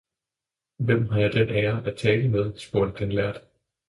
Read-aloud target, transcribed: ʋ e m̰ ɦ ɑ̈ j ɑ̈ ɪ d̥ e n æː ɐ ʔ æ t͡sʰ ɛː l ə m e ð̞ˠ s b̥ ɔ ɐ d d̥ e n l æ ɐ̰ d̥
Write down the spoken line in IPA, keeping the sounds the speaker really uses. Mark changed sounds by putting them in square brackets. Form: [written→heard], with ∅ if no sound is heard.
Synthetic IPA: ʋ e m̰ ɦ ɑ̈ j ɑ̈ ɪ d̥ e n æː ɐ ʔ æ t͡sʰ ɛː l ə m e ð̞ˠ s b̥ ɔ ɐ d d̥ e n l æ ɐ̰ d̥